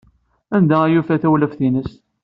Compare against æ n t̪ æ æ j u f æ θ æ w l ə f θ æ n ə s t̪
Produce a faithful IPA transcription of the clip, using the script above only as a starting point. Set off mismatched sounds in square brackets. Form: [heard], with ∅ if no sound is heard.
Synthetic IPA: æ n [d̪] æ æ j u f æ θ æ w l ə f θ [i] n ə s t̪